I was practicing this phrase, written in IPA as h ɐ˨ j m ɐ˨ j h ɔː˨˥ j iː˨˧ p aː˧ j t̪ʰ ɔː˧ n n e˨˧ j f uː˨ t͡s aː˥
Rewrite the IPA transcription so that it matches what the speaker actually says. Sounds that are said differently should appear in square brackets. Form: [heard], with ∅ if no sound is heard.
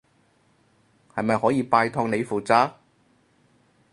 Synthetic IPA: h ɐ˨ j m ɐ˨ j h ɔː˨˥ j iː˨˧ p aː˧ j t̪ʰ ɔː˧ [ŋ] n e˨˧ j f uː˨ t͡s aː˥